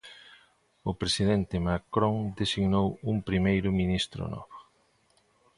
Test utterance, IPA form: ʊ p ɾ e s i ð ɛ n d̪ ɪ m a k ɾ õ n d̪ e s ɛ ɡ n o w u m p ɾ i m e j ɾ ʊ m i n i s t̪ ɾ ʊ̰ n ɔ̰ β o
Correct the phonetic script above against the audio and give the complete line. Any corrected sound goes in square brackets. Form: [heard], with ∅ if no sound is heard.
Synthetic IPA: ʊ p ɾ e s i ð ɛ n [t̪] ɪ m a k ɾ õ [ŋ] d̪ e s [i] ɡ n o w u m p ɾ i m e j ɾ ʊ m i n i s t̪ ɾ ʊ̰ n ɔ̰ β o